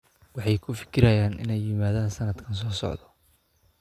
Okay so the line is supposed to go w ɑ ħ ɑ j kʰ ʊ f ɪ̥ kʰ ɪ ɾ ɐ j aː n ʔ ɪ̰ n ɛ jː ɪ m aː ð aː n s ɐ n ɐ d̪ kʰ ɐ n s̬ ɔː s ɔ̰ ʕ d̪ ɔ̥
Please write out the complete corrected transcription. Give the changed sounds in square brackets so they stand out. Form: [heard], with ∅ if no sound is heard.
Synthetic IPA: w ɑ ħ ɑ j kʰ ʊ f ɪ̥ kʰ ɪ ɾ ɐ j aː n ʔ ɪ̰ n ɛ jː ɪ m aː ð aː n s ɐ n ɐ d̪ kʰ ɐ n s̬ ɔː s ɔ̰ ʕ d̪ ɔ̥